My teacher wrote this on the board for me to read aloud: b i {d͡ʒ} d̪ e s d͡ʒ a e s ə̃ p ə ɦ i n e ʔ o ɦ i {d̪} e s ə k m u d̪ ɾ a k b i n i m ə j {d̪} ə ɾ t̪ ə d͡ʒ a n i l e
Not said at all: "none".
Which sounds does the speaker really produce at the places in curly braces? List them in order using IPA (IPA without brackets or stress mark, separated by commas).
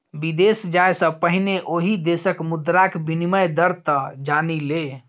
none, d̪, d̪